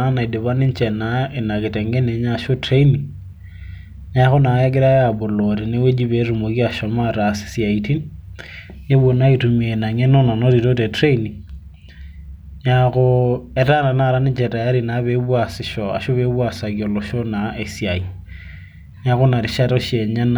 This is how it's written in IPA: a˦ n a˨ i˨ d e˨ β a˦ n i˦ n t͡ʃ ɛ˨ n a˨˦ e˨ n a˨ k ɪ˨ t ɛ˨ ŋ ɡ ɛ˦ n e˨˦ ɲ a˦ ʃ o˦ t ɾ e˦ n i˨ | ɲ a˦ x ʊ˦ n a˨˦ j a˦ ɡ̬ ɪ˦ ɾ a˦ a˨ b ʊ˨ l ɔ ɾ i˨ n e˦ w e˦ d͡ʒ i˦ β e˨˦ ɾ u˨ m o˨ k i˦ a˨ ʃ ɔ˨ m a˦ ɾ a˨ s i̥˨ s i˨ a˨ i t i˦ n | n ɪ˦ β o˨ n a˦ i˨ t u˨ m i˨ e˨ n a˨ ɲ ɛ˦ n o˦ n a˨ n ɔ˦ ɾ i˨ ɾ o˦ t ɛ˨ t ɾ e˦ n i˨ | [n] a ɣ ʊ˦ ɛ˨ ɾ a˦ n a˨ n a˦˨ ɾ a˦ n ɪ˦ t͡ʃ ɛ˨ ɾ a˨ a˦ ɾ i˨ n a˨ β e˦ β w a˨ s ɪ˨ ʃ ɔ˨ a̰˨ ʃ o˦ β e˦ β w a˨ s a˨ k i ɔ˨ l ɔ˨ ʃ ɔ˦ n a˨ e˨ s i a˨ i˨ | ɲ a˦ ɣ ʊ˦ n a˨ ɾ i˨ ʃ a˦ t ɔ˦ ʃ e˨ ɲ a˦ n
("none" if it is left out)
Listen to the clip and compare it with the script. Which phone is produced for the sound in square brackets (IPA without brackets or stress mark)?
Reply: ɲ